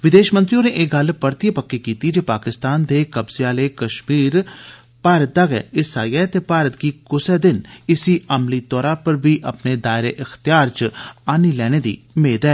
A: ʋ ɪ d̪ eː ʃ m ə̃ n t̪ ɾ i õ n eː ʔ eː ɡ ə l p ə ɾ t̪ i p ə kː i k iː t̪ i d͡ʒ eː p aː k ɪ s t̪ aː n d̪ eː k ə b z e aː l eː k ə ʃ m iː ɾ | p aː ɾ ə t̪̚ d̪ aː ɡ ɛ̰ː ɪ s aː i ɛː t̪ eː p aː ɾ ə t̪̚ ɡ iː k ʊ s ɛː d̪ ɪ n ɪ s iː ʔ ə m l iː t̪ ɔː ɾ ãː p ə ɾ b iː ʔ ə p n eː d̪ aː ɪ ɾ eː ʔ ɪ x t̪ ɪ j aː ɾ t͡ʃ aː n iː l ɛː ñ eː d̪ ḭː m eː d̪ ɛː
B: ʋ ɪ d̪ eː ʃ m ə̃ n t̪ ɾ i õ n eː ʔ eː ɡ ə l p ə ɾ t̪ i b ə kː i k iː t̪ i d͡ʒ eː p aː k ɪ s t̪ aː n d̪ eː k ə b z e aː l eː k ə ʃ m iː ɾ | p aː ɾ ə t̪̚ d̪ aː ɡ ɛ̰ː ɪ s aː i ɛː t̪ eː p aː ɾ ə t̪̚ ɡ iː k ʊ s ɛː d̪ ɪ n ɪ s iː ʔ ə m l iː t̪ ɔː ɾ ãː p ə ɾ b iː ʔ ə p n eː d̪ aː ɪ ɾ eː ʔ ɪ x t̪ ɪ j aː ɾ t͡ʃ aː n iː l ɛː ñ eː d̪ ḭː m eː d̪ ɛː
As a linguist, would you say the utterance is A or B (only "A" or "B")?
A